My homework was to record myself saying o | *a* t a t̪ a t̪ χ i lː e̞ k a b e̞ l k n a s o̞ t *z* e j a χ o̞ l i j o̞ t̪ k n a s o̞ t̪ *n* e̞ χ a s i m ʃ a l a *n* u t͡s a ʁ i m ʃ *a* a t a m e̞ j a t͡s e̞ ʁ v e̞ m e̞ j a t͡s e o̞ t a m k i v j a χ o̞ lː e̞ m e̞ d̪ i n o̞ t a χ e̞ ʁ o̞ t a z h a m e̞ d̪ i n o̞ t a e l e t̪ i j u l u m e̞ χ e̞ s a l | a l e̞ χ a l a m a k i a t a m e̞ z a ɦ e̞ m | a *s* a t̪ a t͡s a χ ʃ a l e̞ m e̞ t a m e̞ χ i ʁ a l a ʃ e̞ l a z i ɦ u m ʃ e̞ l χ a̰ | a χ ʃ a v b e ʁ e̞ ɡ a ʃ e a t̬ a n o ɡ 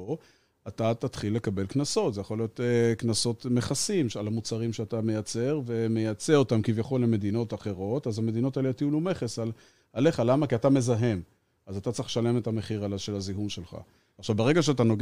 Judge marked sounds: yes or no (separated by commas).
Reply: yes, yes, no, no, no, no